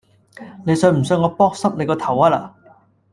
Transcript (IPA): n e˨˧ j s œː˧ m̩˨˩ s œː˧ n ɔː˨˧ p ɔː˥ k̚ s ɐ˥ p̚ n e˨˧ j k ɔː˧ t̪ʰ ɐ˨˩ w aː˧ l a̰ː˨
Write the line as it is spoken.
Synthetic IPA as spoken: n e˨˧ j s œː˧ m̩˨˩ s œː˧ ŋ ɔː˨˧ p ɔː˥ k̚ s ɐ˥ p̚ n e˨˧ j k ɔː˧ t̪ʰ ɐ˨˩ w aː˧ l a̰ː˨